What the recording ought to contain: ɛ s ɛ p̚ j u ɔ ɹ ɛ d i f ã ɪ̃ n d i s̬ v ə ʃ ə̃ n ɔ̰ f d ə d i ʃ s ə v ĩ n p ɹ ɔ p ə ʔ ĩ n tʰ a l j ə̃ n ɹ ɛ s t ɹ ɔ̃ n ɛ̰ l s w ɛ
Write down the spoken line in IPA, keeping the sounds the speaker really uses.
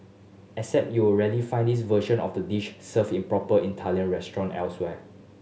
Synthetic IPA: ɛ s ɛ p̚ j u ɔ ɹ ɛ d i f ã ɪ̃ n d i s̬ v ə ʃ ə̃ n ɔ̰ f d ə d i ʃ s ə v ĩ n p ɹ ɔ p ə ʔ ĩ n tʰ a l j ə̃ n ɹ ɛ s t ɹ ɔ̃ n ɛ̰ l s w ɛ